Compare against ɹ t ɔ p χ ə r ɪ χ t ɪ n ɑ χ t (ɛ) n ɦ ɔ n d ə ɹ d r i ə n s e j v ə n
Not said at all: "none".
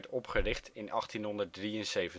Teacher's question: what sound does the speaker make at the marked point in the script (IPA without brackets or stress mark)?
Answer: i